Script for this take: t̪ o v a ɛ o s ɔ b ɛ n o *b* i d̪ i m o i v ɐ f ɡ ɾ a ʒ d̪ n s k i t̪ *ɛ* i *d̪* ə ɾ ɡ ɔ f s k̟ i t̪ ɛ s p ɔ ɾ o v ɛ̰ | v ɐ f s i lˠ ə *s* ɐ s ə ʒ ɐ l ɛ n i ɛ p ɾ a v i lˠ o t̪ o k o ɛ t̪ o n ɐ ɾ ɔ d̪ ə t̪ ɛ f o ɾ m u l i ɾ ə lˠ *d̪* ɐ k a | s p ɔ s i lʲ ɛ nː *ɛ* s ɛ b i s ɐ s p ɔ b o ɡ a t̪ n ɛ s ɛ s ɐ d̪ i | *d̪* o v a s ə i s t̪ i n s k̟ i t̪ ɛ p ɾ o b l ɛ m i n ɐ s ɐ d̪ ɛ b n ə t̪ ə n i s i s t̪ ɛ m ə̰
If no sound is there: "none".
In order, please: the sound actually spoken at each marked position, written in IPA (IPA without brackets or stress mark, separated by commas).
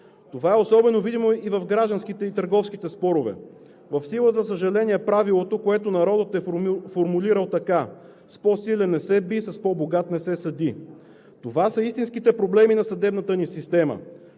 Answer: v, ɛ, t̪, z, t̪, ɛ, t̪